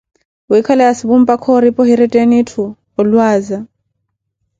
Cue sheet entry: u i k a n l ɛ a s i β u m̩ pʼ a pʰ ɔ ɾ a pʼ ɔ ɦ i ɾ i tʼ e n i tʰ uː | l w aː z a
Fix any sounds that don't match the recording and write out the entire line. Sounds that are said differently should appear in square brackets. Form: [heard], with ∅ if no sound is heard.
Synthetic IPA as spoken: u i [kʰ] a [∅] l ɛ a s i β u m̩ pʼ a [kʰ] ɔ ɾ [i] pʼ ɔ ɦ i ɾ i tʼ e n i tʰ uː | l w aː z a